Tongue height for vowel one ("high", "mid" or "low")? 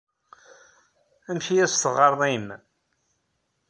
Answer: low